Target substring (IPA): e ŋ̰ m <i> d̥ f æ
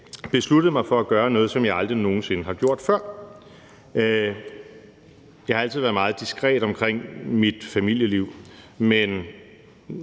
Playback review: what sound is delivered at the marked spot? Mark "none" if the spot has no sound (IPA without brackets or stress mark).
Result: i